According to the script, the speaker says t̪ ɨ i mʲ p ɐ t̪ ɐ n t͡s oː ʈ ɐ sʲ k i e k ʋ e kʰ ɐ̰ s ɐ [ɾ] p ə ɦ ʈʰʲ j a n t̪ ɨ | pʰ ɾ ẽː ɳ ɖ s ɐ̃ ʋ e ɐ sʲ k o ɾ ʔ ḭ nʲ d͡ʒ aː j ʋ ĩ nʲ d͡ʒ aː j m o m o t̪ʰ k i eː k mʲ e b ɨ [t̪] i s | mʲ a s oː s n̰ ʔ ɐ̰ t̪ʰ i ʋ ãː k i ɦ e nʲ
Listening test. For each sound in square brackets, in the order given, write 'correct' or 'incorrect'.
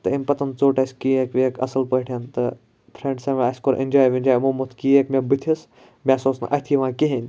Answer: incorrect, incorrect

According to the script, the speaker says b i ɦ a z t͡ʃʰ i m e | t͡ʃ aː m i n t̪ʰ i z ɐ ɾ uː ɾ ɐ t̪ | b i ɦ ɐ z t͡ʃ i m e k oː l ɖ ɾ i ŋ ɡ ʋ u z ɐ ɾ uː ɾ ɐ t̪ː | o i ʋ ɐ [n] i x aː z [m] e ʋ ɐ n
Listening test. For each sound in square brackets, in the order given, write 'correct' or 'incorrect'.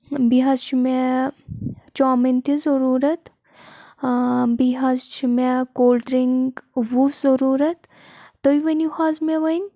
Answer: correct, correct

